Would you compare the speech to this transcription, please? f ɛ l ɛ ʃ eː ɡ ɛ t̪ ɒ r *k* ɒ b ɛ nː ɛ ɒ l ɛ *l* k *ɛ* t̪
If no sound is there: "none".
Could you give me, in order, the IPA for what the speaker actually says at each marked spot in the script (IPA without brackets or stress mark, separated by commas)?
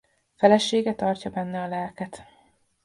c, l, ɛ